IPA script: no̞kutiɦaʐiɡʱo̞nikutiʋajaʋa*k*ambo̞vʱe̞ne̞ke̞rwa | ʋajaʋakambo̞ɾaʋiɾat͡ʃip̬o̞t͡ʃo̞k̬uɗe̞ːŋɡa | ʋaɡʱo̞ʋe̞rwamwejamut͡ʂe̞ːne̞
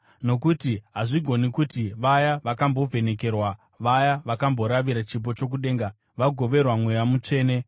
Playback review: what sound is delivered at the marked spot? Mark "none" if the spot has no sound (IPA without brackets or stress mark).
k